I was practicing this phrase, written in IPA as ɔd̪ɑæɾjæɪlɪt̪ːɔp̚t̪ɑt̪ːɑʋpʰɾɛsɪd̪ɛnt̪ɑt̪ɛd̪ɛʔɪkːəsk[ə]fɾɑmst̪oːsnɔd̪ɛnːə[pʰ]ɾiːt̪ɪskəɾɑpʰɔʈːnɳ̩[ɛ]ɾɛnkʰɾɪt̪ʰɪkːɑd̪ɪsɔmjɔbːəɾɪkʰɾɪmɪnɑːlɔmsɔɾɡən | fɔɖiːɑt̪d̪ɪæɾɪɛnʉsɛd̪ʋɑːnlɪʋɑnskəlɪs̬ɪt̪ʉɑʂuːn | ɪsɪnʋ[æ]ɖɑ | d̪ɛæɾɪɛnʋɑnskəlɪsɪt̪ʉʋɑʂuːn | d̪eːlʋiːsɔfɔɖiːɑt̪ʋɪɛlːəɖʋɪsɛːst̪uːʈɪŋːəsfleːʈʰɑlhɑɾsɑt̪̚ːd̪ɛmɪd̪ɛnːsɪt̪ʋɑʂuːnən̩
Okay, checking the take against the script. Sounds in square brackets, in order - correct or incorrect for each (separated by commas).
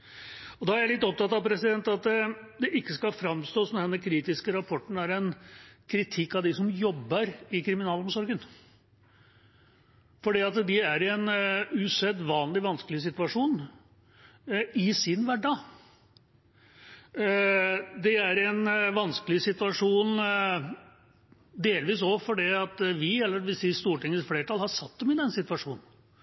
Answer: incorrect, incorrect, incorrect, correct